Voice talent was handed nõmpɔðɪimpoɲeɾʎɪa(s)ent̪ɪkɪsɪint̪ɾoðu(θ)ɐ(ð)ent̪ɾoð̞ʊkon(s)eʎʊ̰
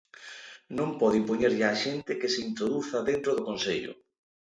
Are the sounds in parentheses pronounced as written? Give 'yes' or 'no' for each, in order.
no, yes, yes, yes

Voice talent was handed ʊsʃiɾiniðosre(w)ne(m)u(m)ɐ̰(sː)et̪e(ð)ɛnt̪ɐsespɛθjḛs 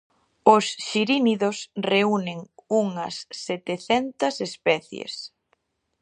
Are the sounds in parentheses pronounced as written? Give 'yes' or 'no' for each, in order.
no, no, no, yes, no

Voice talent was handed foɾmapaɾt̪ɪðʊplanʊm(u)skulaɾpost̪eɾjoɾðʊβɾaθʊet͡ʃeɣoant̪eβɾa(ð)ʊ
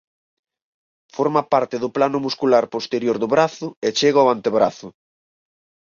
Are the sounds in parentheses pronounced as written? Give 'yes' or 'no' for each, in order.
yes, no

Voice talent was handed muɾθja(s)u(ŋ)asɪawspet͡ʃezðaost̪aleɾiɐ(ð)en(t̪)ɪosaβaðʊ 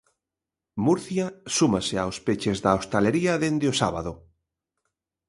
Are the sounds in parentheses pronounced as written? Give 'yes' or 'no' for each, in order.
yes, no, yes, no

